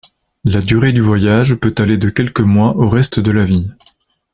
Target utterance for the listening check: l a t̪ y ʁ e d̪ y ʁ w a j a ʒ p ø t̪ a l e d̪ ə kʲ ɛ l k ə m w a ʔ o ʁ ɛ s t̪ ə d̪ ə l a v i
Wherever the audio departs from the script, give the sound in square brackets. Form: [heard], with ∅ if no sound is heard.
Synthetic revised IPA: l a [d̪] y ʁ e d̪ y [v] w a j a ʒ p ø t̪ a l e d̪ ə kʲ ɛ l k ə m w a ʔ o ʁ ɛ s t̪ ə d̪ ə l a v i